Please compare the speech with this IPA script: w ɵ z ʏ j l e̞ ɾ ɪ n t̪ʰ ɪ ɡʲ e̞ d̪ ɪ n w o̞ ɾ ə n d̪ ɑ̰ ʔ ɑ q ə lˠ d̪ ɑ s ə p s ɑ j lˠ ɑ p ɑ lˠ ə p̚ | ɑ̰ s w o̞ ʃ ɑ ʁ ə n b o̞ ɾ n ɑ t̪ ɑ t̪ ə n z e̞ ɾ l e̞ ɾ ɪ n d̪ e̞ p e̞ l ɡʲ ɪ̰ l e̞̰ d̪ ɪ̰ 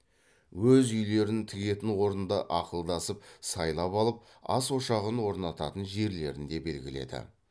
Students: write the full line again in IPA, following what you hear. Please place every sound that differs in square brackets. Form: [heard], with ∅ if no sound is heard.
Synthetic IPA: w ɵ z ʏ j l e̞ ɾ ɪ n t̪ʰ ɪ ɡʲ e̞ [t̪] ɪ n w o̞ ɾ ə n d̪ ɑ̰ ʔ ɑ q ə lˠ d̪ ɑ s ə p s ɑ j lˠ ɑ p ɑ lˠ ə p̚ | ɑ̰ s w o̞ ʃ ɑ ʁ ə n [w] o̞ ɾ n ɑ t̪ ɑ t̪ ə n [ʒ] e̞ ɾ l e̞ ɾ ɪ n d̪ e̞ [b] e̞ l ɡʲ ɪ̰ l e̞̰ d̪ ɪ̰